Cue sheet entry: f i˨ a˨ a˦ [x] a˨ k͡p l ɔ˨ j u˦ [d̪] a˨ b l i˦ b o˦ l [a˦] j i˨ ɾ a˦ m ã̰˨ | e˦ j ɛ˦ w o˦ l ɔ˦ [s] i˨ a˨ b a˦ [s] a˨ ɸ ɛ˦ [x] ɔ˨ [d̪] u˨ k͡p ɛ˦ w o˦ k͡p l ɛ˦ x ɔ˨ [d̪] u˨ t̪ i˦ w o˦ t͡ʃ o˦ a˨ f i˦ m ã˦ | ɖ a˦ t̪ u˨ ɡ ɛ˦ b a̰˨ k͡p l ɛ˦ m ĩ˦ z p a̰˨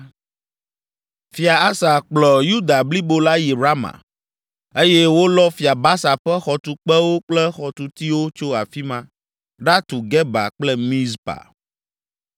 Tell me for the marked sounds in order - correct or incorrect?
incorrect, correct, correct, incorrect, correct, correct, incorrect, incorrect

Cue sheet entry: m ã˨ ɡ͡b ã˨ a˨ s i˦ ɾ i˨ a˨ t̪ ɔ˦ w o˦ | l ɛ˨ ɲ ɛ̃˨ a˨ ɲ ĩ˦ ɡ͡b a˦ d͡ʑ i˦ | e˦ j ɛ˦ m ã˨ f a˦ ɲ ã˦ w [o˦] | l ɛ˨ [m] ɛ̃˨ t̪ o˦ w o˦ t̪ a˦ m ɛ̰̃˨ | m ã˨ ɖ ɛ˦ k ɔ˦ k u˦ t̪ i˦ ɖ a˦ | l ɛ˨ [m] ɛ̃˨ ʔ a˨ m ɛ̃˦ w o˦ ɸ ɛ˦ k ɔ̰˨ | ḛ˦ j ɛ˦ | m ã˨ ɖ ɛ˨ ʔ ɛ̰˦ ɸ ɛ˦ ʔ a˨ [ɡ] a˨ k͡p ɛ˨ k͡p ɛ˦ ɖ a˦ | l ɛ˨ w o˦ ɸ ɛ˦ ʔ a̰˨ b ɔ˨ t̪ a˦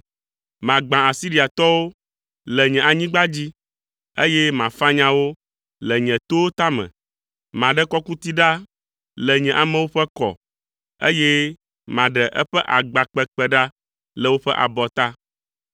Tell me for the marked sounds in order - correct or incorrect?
correct, incorrect, incorrect, incorrect

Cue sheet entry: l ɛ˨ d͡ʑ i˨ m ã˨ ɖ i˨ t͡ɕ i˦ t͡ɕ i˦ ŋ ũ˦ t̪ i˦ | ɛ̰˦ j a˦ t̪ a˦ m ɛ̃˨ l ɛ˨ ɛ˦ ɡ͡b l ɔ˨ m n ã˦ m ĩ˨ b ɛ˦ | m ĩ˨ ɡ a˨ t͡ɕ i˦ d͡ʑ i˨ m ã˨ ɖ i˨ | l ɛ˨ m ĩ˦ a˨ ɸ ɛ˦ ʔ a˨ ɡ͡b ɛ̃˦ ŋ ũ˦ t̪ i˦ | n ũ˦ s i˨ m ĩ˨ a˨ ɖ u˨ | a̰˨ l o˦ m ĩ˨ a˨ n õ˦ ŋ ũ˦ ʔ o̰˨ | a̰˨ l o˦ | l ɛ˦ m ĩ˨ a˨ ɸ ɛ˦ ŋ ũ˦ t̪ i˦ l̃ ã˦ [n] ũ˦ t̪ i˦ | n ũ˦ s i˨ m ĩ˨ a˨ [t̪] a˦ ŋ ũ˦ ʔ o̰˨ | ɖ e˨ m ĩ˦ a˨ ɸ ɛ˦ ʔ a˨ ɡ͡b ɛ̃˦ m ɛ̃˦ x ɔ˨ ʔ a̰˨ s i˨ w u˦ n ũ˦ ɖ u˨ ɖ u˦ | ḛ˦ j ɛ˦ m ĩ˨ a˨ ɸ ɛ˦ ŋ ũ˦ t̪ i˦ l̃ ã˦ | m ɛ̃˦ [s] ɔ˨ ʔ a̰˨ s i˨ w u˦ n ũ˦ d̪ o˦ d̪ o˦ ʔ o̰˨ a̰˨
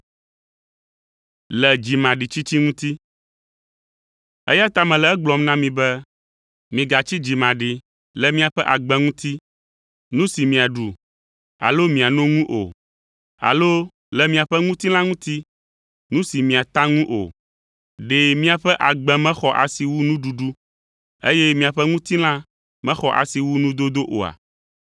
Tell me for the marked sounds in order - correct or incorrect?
incorrect, correct, incorrect

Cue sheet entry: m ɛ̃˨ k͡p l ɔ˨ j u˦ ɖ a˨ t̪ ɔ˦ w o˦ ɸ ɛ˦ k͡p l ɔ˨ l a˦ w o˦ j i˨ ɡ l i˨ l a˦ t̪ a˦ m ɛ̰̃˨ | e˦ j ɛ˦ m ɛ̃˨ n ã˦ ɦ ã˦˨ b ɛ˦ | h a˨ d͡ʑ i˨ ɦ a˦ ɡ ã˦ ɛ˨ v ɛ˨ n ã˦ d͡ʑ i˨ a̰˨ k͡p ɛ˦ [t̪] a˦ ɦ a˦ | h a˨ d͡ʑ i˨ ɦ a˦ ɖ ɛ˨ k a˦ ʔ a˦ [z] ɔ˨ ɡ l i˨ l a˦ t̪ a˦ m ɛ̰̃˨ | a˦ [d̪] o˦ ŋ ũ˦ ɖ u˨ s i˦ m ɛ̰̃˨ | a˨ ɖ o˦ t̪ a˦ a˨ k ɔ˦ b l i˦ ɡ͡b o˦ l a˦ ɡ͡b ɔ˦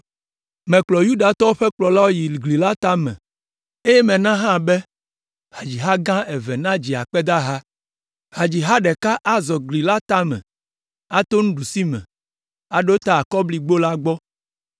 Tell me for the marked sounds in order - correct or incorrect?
incorrect, correct, incorrect

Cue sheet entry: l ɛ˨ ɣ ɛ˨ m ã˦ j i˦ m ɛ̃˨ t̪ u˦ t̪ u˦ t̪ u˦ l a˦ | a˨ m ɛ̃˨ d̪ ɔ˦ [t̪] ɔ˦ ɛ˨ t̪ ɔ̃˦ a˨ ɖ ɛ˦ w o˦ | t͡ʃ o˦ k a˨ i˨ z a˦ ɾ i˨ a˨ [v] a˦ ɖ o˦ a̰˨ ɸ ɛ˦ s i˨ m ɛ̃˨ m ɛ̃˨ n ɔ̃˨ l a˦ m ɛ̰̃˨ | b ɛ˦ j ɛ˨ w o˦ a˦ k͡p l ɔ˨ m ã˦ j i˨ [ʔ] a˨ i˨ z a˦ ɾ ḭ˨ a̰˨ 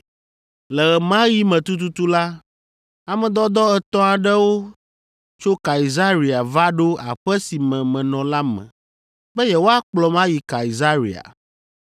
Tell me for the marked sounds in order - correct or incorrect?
incorrect, correct, incorrect

